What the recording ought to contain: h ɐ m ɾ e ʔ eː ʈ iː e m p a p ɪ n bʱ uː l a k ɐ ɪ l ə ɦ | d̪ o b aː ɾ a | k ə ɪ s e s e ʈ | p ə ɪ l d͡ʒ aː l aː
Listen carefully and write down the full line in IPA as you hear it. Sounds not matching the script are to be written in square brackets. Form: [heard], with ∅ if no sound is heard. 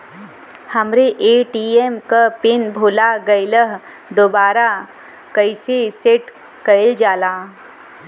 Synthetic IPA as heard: h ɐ m ɾ e ʔ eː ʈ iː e m [k] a p ɪ n bʱ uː l a [ɡ] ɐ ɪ l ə ɦ | d̪ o b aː ɾ a | k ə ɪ s e s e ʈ | [k] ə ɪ l d͡ʒ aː l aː